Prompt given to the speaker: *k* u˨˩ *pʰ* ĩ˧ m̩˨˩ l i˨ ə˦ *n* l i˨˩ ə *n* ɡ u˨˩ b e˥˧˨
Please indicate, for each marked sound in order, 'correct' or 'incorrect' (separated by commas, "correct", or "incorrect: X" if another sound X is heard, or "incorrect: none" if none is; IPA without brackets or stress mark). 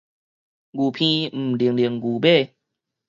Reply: incorrect: ɡ, correct, incorrect: ŋ, incorrect: ŋ